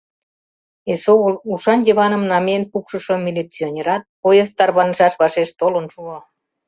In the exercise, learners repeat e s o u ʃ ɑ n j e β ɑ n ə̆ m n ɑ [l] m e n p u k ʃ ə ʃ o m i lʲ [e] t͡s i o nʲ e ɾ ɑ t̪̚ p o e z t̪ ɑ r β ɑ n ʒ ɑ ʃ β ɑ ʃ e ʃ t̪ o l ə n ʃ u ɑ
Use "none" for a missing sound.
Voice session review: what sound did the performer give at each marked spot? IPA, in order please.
none, i

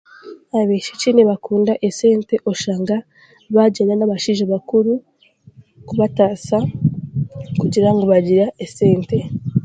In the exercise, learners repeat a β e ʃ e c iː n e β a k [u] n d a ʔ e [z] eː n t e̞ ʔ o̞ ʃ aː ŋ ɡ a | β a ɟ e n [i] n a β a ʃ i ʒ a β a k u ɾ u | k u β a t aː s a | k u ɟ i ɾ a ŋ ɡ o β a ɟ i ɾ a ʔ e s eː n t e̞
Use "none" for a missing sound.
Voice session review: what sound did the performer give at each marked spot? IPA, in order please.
uː, s, a

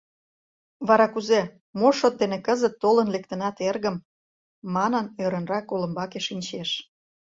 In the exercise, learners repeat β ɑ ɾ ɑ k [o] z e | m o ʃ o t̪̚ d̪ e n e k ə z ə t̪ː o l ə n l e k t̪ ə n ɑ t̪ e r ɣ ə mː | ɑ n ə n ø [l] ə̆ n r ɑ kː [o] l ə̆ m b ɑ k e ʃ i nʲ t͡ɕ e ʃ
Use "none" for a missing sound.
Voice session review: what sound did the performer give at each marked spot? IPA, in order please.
u, ɾ, o

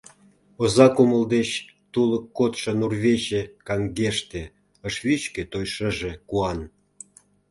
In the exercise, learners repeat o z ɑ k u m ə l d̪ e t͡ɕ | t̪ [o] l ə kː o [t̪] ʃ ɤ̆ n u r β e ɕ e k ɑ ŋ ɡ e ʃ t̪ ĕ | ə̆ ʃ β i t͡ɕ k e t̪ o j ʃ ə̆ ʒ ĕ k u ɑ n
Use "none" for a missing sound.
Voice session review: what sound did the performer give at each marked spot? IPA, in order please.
u, t̪

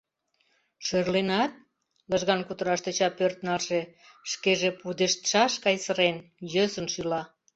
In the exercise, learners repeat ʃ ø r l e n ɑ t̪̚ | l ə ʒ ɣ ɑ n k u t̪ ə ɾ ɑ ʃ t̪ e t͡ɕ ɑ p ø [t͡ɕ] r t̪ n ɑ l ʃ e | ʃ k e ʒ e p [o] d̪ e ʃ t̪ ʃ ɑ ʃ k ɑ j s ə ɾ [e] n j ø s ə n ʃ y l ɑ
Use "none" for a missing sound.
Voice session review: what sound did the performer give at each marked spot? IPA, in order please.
none, u, e

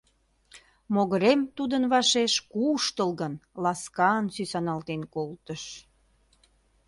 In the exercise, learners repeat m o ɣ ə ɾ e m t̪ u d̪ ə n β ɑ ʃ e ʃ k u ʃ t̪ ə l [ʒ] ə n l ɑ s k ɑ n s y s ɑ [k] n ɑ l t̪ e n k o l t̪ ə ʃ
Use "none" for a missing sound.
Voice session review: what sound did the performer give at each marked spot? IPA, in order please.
ɣ, none

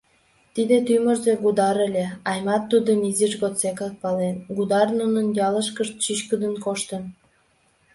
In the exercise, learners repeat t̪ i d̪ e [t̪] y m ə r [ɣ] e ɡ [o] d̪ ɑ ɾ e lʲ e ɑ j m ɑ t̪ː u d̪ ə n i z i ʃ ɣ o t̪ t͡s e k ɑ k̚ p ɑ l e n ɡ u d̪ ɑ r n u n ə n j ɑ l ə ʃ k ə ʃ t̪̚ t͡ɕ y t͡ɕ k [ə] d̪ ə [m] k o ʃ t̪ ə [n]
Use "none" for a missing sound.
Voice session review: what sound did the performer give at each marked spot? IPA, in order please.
t̪, z, u, ə, n, n

